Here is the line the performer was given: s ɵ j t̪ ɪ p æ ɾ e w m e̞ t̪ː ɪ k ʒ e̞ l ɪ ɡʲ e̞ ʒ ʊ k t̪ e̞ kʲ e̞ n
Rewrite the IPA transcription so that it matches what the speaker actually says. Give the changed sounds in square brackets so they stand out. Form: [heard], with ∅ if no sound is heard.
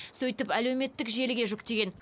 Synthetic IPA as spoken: s ɵ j t̪ ɪ p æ [l] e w m e̞ t̪ː ɪ k ʒ e̞ l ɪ ɡʲ e̞ ʒ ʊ k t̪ e̞ [ɡʲ] e̞ n